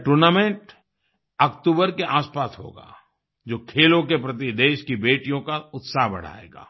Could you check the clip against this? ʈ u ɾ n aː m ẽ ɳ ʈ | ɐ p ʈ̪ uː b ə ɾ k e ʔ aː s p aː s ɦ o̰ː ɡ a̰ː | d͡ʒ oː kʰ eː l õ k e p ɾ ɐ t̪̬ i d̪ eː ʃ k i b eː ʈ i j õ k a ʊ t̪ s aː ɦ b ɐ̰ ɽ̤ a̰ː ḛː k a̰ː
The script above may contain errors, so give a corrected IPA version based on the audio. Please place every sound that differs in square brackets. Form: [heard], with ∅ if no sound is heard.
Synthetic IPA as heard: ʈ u ɾ n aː m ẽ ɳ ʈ | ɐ [k] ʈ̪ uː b ə ɾ k e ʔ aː s p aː s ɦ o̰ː ɡ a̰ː | d͡ʒ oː kʰ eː l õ k e p ɾ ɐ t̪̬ i d̪ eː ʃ k i b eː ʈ i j õ k a ʊ t̪ s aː ɦ b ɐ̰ ɽ̤ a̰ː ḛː [ɡ] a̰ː